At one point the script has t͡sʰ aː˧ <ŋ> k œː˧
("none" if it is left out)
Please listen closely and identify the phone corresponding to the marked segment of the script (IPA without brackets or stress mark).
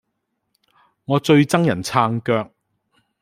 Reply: ŋ